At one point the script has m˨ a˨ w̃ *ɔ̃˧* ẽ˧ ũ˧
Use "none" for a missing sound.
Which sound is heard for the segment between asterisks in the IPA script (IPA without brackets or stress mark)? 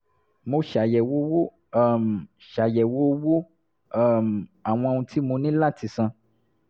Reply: ɔ̃˧